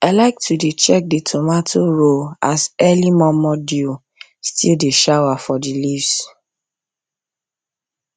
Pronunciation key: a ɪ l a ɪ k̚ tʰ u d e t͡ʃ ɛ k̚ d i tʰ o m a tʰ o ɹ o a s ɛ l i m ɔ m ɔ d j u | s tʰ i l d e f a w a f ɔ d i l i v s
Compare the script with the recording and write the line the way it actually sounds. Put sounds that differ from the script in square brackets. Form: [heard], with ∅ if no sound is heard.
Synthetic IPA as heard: a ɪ l a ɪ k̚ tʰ u d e t͡ʃ ɛ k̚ d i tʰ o m a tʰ o ɹ o a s ɛ l i m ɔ m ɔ d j u | s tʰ i l d e [ʃ] a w a f ɔ d i l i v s